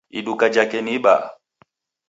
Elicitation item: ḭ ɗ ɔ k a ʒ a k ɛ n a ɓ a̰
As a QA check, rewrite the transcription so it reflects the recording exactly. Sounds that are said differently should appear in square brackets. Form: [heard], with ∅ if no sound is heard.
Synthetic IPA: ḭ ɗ [u] k a [d͡ʒ] a k ɛ n [i] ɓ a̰